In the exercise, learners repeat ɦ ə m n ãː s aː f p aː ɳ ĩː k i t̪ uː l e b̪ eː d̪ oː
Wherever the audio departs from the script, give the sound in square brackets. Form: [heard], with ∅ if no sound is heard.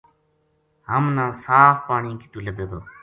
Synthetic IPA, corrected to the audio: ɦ ə m n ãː s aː f p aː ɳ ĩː k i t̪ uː l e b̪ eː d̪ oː